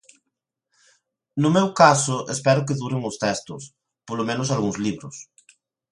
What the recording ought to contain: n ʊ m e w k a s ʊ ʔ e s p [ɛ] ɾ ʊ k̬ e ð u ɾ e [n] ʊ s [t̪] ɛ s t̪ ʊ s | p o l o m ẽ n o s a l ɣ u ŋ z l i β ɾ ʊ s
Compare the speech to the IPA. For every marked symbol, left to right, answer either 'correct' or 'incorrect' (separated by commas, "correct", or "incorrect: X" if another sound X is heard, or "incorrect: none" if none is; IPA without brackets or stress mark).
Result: correct, incorrect: ŋ, correct